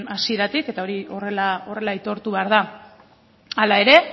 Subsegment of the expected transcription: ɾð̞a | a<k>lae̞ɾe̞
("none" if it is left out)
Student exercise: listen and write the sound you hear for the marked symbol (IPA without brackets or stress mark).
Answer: none